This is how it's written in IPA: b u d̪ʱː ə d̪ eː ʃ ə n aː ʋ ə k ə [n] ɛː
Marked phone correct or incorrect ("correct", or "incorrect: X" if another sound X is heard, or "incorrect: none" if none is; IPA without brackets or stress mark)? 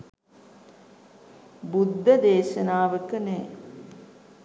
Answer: correct